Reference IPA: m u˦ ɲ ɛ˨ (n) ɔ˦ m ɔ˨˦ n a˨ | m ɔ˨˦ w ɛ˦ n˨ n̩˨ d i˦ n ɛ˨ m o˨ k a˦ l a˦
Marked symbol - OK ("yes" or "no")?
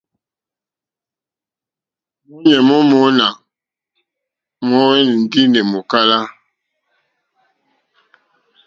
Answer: no